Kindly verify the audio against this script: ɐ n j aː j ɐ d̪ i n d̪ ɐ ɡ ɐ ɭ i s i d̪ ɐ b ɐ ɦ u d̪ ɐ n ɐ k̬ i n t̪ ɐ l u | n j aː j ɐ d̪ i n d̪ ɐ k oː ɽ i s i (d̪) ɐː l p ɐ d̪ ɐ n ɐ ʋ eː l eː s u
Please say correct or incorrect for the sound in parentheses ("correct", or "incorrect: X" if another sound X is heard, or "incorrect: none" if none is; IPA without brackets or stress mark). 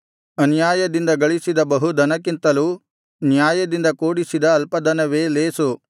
correct